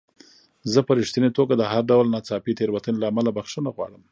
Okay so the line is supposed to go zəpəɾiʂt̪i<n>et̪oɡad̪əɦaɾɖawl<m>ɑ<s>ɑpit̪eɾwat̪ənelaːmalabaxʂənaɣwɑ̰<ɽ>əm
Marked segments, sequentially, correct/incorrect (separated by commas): correct, incorrect, incorrect, correct